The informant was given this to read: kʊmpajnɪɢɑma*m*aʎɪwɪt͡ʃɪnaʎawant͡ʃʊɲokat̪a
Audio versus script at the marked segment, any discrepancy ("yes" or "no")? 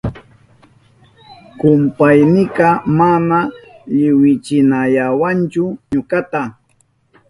yes